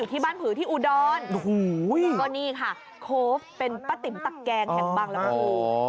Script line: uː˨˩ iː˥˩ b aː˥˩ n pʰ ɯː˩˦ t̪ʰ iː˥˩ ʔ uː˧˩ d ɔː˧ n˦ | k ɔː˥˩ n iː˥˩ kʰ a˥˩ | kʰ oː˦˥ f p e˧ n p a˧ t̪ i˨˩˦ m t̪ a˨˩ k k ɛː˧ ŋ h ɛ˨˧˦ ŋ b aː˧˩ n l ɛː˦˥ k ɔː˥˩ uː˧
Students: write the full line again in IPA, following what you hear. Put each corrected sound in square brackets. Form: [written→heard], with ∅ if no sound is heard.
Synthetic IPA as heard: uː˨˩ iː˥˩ b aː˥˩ n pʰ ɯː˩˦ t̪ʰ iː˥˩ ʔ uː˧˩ d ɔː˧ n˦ | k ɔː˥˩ n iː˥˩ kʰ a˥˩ | kʰ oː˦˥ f p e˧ n p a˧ t̪ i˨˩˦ m t̪ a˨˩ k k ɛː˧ ŋ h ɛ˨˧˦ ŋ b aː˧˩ [n→ŋ] l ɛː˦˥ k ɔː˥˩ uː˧